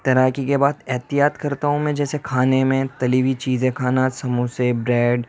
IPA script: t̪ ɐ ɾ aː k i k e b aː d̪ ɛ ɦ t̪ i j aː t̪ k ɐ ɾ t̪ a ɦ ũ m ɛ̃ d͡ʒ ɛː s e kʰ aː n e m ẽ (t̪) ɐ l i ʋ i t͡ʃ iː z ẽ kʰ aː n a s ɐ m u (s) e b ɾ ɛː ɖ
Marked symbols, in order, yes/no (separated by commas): yes, yes